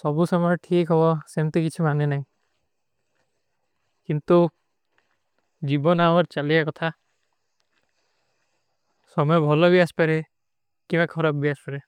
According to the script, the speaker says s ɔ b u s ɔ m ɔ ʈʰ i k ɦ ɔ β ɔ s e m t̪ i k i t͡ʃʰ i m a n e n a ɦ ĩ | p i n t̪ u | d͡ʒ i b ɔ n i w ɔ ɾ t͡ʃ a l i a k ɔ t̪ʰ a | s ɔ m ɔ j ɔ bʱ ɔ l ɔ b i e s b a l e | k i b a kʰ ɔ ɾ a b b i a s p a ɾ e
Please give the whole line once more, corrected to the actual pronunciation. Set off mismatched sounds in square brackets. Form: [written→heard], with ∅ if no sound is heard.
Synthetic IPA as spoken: s ɔ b u s ɔ m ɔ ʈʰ i k ɦ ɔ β ɔ s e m t̪ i k i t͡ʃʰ i m a n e n a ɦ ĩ | [p→k] i n t̪ u | d͡ʒ i b ɔ n [i→a] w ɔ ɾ t͡ʃ a l i a k ɔ t̪ʰ a | s ɔ m ɔ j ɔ bʱ ɔ l ɔ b i [e→a] s [b→p] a [l→ɾ] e | k i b a kʰ ɔ ɾ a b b i a s p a ɾ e